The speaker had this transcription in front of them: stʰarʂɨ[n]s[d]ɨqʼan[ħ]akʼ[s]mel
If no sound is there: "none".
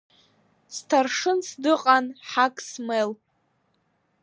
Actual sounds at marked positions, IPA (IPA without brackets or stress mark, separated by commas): n, d, ħ, s